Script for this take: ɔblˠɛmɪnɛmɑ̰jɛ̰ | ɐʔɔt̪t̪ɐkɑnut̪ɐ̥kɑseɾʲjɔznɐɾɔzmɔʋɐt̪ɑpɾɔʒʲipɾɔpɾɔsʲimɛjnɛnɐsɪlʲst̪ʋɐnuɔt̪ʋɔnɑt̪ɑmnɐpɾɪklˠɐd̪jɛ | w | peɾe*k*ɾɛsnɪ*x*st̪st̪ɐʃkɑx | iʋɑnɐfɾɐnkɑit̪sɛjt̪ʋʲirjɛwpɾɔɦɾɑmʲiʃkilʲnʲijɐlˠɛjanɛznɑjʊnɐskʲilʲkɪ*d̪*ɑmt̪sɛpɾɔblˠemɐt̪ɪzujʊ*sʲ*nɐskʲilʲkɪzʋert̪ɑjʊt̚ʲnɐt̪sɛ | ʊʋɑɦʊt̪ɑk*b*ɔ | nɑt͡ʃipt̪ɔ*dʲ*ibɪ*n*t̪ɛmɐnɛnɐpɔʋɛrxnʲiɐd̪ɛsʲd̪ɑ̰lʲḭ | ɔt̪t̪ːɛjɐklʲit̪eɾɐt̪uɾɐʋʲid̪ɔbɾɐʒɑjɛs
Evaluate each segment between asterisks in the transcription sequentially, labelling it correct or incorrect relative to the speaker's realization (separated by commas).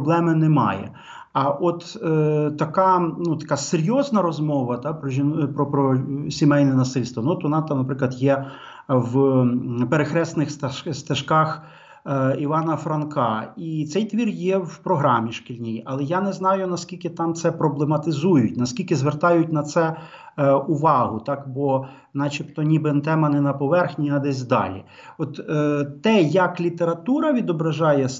incorrect, correct, incorrect, incorrect, correct, incorrect, correct